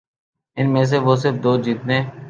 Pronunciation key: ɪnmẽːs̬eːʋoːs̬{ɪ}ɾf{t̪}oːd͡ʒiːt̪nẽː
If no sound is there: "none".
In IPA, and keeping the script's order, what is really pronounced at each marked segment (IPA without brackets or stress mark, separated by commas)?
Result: ɪ, d̪